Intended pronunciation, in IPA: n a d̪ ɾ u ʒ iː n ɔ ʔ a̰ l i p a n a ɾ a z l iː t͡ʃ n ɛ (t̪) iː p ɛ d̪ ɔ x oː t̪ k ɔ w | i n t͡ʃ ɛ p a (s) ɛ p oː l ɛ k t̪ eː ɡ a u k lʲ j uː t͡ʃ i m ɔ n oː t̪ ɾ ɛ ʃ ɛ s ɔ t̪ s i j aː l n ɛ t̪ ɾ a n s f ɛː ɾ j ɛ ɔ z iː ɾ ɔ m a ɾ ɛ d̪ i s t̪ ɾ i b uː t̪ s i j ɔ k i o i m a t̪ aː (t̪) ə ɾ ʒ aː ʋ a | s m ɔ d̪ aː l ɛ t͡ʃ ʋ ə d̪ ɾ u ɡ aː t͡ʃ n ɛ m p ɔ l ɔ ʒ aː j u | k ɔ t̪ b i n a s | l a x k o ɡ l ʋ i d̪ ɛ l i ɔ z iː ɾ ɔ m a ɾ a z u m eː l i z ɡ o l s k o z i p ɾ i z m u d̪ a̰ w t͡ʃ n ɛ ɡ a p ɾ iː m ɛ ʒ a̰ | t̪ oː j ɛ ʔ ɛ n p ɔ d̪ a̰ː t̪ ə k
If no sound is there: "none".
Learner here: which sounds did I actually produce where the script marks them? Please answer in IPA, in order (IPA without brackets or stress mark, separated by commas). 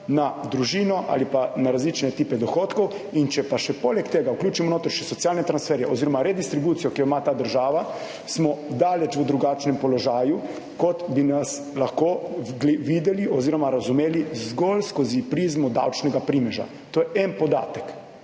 t̪, ʃ, d̪